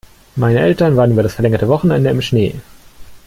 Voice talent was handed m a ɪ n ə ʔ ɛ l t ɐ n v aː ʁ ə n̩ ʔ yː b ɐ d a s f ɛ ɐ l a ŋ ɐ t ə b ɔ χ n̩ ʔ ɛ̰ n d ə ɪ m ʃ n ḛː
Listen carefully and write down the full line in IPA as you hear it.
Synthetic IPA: m a ɪ n ə ʔ ɛ l t ɐ n v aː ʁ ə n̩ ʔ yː b ɐ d a s f ɛ ɐ l ɛ ŋ ɐ t ə v ɔ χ n̩ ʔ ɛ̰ n d ə ɪ m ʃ n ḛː